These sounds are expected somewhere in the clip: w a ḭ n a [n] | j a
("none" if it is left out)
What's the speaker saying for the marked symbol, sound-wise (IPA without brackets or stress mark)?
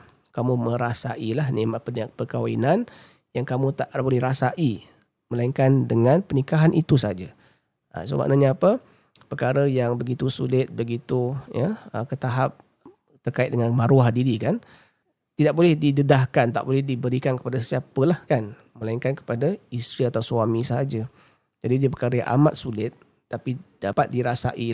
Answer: n